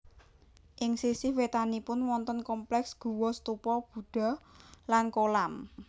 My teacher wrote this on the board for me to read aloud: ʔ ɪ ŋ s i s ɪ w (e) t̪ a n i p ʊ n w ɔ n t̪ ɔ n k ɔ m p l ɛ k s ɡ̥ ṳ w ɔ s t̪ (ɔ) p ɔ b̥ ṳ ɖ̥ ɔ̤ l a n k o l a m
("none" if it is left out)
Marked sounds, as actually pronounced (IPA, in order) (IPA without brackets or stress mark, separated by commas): e, u